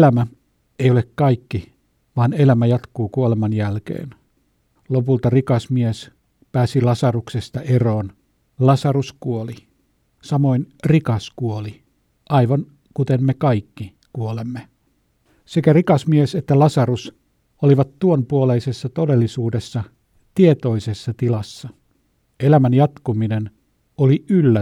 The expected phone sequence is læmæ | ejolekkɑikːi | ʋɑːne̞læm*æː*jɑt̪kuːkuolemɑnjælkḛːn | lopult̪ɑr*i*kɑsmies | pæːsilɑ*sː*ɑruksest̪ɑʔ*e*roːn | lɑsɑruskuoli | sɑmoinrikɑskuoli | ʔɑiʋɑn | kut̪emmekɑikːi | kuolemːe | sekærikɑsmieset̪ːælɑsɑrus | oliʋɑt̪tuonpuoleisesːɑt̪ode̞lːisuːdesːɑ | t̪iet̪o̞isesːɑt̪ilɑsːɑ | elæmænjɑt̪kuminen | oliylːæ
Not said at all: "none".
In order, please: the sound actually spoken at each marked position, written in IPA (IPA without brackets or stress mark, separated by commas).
æ, i, s, e